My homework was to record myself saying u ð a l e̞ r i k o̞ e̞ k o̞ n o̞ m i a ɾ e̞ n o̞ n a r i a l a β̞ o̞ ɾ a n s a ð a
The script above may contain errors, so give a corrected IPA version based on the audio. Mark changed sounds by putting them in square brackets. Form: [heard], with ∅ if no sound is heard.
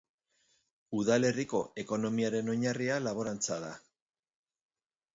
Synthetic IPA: u ð a l e̞ r i k o̞ e̞ k o̞ n o̞ m i a ɾ e̞ n o̞ [ɲ] a r i a l a β̞ o̞ ɾ a n [t͡s] a ð a

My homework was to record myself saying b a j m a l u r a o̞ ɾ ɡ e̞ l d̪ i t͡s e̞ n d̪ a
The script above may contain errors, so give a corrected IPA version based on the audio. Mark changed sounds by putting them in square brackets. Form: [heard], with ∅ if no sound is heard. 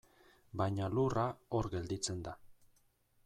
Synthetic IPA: b a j [ɲ] a l u r a o̞ ɾ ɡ e̞ l d̪ i t͡s e̞ n d̪ a

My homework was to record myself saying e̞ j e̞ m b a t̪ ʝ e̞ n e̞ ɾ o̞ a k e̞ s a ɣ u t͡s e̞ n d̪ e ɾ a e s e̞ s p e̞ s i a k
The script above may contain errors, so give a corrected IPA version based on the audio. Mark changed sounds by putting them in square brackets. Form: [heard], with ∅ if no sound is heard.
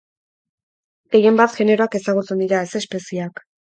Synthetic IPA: e̞ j e̞ m b a t̪ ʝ e̞ n e̞ ɾ o̞ a k e̞ s a ɣ u t͡s e̞ n d̪ [i] ɾ a e s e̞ s p e̞ s i a k

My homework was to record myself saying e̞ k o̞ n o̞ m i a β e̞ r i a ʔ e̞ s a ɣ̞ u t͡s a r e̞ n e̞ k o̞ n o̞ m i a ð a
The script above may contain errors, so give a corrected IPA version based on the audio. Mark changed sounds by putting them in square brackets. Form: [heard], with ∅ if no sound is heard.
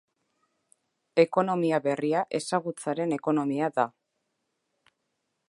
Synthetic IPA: e̞ k o̞ n o̞ m i a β e̞ r i a ʔ e̞ s a ɣ̞ u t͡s a [ɾ] e̞ n e̞ k o̞ n o̞ m i a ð a

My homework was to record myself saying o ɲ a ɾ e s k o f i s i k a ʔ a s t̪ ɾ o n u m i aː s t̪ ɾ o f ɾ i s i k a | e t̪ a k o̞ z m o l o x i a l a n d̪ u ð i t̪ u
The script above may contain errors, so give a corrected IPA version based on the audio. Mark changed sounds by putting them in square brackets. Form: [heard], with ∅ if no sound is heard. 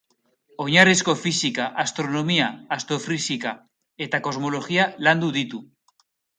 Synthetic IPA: o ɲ a ɾ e s k o f i s i k a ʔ a s t̪ ɾ o n [o] m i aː s t̪ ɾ o f ɾ i s i k a | e t̪ a k o̞ z m o l o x i a l a n d̪ u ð i t̪ u

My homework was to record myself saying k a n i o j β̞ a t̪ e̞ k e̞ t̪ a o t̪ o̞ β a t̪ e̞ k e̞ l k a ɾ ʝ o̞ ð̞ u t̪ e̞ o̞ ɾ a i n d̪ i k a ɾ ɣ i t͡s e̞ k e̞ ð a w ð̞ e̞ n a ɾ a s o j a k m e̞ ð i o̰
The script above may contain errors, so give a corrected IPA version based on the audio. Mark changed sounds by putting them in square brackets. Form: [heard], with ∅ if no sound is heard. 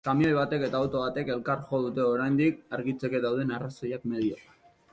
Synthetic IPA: k a [m] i o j β̞ a t̪ e̞ k e̞ t̪ a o t̪ o̞ β a t̪ e̞ k e̞ l k a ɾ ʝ o̞ ð̞ u t̪ e̞ o̞ ɾ a [j] n d̪ i k a ɾ ɣ i t͡s e̞ k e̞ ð a w ð̞ e̞ n a [r] a s o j a k m e̞ ð i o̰

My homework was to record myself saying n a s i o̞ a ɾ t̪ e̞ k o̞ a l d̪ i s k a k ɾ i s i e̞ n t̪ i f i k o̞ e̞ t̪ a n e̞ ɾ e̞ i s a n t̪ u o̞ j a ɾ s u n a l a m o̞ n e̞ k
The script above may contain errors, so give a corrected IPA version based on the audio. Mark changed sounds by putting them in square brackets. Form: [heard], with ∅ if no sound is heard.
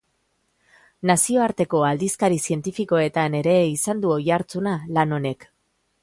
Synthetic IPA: n a s i o̞ a ɾ t̪ e̞ k o̞ a l d̪ i s k a [∅] ɾ i s i e̞ n t̪ i f i k o̞ e̞ t̪ a n e̞ ɾ e̞ i s a n [d̪] u o̞ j a ɾ [t͡s] u n a l a [n] o̞ n e̞ k

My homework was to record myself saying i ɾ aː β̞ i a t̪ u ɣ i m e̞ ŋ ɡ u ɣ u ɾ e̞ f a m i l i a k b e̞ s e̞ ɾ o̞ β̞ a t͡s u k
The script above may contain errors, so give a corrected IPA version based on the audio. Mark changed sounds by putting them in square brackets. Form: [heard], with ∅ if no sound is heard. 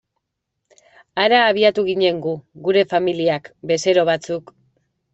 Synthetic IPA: [a] ɾ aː β̞ i a t̪ u ɣ i [ɲ] e̞ ŋ ɡ u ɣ u ɾ e̞ f a m i l i a k b e̞ s e̞ ɾ o̞ β̞ a t͡s u k

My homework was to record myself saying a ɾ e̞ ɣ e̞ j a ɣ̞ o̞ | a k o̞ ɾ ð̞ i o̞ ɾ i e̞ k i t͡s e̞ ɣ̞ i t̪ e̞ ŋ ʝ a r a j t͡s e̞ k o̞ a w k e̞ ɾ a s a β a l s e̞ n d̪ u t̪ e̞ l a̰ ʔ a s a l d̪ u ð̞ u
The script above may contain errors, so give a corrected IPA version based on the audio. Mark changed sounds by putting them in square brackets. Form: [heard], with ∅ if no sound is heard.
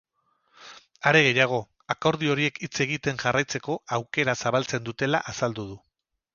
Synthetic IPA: a ɾ e̞ ɣ e̞ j a ɣ̞ o̞ | a k o̞ ɾ ð̞ i o̞ ɾ i e̞ k i t͡s e̞ ɣ̞ i t̪ e̞ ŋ ʝ a r a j t͡s e̞ k o̞ a w k e̞ ɾ a s a β a l [t͡s] e̞ n d̪ u t̪ e̞ l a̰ ʔ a s a l d̪ u ð̞ u

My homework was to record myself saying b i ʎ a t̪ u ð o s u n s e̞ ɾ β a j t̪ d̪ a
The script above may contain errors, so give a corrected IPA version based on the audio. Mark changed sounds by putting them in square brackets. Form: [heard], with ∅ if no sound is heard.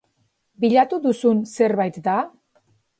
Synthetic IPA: b i ʎ a t̪ u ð [u] s u n s e̞ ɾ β a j t̪ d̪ a

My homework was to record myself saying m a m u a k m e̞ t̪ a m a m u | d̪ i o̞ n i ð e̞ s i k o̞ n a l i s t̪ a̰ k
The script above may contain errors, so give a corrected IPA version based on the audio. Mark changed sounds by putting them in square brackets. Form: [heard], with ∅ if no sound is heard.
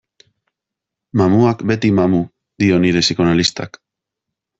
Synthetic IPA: m a m u a k [b] e̞ t̪ [i] m a m u | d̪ i o̞ n i ð e̞ s i k o̞ n a l i s t̪ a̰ k

